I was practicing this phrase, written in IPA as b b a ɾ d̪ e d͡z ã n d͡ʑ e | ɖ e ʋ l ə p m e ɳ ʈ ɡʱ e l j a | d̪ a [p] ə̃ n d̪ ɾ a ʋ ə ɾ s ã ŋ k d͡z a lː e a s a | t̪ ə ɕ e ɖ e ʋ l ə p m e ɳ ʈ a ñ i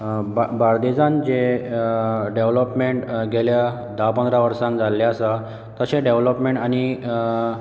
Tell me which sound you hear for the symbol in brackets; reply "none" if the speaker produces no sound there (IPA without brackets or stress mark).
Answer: p